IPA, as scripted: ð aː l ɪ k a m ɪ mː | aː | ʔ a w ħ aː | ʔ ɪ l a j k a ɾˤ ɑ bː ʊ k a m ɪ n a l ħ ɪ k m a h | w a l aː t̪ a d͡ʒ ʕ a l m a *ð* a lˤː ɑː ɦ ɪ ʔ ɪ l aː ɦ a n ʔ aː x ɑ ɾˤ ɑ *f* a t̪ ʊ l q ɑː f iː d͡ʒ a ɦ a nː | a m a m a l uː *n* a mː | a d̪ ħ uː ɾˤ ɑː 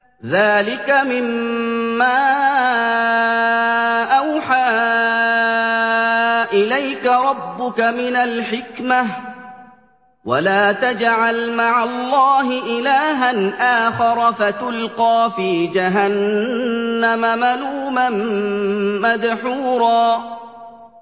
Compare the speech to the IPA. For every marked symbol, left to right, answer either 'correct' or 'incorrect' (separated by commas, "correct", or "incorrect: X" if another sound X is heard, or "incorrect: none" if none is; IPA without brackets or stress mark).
incorrect: ʕ, correct, incorrect: m